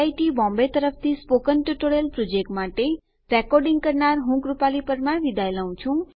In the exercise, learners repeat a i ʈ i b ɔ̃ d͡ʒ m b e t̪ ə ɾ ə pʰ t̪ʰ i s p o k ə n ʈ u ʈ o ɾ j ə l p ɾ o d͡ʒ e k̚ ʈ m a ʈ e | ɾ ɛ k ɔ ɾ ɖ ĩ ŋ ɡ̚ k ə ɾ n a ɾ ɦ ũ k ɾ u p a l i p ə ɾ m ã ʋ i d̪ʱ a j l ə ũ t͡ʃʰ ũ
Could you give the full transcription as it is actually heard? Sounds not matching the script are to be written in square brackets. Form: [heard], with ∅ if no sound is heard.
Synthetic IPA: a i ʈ i b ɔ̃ [∅] m b e t̪ ə ɾ ə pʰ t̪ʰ i s p o k ə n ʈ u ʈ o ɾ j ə l p ɾ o d͡ʒ e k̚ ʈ m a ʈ e | ɾ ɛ k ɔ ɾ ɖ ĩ ŋ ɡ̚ k ə ɾ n a ɾ ɦ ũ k ɾ u p a l i p ə ɾ m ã ʋ i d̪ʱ a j l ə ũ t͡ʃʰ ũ